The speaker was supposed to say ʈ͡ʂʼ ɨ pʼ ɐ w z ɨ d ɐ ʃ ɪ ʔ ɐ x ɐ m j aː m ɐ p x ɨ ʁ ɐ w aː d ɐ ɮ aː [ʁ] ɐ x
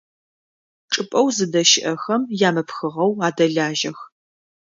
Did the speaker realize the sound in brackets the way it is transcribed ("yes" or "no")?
no